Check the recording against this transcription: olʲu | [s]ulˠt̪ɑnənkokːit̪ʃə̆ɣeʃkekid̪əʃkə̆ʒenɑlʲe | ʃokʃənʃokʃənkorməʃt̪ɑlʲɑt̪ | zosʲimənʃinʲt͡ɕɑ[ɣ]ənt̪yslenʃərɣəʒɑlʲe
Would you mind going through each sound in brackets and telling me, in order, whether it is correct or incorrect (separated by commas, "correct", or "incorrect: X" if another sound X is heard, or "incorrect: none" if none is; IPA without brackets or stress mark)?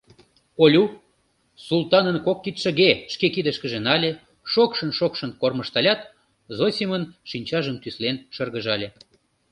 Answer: correct, incorrect: ʒ